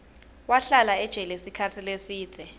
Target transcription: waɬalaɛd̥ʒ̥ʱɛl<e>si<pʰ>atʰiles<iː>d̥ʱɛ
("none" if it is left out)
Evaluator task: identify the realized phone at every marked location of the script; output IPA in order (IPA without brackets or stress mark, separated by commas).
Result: e, kʰ, iː